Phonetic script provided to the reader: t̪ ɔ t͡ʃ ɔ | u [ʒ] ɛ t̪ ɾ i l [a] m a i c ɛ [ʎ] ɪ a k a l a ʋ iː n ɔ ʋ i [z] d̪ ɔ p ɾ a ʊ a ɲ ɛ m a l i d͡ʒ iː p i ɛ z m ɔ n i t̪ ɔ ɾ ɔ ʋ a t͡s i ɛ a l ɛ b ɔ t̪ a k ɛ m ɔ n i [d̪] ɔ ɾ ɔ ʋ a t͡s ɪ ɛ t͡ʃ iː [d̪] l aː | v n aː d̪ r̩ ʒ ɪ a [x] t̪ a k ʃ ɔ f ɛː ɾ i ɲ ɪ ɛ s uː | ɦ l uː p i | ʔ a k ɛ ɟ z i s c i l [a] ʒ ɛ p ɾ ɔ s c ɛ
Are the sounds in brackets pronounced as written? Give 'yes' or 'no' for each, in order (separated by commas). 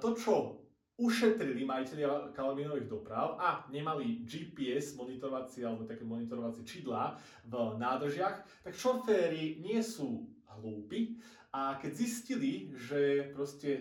no, no, yes, no, no, yes, yes, no